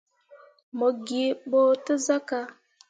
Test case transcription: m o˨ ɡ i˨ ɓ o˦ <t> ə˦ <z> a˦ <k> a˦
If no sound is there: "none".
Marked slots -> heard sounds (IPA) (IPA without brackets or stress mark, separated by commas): t, z, k